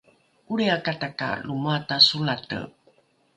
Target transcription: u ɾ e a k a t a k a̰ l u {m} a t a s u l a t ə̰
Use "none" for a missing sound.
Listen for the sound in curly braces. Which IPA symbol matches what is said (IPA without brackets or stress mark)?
m